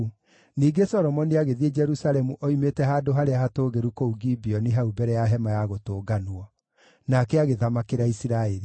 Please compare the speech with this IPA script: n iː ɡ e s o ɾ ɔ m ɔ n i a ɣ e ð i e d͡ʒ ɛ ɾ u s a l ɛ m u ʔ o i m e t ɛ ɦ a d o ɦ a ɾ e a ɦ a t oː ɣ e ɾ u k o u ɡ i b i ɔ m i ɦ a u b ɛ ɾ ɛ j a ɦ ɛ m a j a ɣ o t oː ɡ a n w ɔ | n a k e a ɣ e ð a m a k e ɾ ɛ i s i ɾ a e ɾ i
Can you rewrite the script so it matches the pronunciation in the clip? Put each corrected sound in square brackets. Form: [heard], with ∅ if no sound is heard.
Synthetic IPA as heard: n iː ɡ e s [ɔ] ɾ ɔ m ɔ n i a ɣ e ð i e d͡ʒ ɛ ɾ u s a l ɛ m u ʔ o i m e t ɛ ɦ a d o ɦ a ɾ e a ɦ a t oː ɣ e ɾ u k o u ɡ i b i ɔ [n] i ɦ a u b ɛ ɾ ɛ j a ɦ ɛ m a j a ɣ o t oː ɡ a n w ɔ | n a k [ɛ] a ɣ e ð a m a k e ɾ [a] i s i ɾ a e ɾ i